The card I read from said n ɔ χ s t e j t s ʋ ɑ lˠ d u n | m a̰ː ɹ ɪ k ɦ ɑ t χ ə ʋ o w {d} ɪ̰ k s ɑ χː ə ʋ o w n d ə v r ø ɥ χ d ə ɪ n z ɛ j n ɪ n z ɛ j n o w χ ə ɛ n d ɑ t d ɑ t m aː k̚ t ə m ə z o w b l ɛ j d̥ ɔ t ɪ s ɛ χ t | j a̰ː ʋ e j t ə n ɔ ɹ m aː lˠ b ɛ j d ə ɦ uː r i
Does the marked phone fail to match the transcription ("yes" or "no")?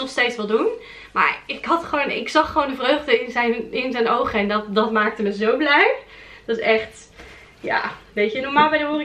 yes